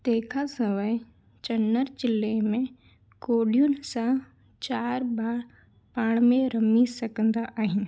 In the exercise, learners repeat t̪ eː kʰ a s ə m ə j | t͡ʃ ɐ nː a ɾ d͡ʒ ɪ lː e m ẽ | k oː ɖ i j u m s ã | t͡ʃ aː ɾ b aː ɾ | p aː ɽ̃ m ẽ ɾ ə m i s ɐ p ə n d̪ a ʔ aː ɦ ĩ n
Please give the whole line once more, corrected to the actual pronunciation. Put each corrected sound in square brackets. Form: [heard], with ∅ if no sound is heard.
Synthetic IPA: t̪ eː kʰ a s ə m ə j | t͡ʃ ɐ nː [ə] ɾ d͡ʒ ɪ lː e m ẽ | k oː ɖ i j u [n] s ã | t͡ʃ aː ɾ b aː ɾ | p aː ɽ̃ m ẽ ɾ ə m i s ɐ [k] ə n d̪ a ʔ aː ɦ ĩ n